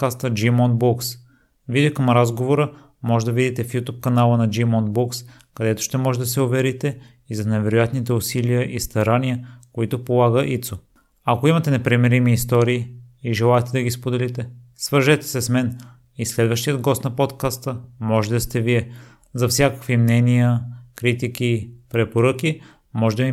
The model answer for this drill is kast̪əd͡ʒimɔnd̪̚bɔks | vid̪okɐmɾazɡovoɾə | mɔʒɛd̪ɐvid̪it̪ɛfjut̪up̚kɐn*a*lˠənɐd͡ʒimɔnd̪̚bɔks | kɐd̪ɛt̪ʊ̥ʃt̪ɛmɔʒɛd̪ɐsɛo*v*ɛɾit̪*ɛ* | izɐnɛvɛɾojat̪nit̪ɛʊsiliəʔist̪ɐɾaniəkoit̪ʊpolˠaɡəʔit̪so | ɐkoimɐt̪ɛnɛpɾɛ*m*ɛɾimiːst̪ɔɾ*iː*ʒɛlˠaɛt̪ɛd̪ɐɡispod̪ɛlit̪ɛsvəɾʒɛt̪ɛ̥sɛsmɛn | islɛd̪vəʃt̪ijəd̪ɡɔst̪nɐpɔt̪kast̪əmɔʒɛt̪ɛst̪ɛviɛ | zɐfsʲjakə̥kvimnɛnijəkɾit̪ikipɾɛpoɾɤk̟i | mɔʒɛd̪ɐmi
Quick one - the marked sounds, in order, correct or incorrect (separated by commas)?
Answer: correct, correct, correct, correct, correct